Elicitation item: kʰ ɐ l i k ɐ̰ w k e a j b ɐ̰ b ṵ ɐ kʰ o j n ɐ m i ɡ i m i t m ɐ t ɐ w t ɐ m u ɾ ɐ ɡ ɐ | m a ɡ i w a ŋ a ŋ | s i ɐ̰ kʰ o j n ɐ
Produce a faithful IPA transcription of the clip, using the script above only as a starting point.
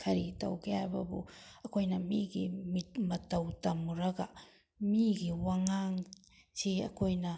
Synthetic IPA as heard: kʰ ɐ ɾ i t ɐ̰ w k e a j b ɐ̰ b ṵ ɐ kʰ o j n ɐ m i ɡ i m i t m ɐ t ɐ w t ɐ m u ɾ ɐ ɡ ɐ | m i ɡ i w a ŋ a ŋ | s i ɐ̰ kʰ o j n ɐ